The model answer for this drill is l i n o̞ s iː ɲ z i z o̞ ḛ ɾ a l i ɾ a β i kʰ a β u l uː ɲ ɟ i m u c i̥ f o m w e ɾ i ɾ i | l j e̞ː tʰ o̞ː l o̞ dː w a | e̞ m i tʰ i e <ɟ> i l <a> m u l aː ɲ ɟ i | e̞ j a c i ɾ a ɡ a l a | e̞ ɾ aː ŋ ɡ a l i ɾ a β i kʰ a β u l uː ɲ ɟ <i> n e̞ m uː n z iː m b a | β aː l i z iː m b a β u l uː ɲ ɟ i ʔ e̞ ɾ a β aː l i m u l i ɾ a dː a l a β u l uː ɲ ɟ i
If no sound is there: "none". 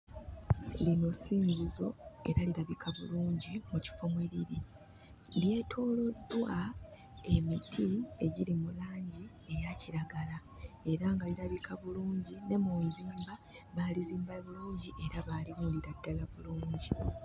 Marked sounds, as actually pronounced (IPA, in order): ɟ, i, i

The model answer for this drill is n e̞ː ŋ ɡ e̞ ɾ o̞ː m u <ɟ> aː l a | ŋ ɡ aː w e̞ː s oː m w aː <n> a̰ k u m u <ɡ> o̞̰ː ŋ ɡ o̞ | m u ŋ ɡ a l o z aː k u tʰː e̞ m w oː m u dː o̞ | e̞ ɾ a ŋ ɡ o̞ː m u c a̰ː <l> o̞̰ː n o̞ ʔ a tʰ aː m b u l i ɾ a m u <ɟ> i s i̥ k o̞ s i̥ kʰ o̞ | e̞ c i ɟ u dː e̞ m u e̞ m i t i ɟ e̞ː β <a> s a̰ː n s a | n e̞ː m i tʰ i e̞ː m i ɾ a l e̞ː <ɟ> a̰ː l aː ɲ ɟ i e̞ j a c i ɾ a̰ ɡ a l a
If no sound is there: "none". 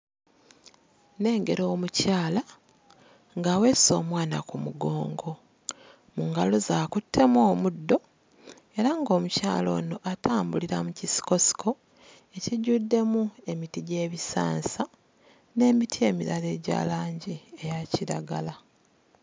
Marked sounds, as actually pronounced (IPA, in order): c, n, ɡ, l, c, i, ɟ

